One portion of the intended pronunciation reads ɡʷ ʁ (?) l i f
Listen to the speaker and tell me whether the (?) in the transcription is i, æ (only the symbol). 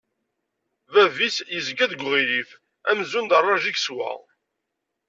i